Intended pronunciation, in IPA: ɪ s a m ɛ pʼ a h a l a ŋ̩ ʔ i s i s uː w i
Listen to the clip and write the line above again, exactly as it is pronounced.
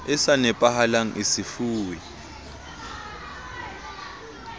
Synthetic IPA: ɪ s a n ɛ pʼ a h a l a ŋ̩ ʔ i s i f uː w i